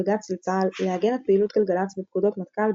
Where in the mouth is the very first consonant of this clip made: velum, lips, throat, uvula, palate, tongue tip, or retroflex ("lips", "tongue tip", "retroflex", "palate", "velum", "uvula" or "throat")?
velum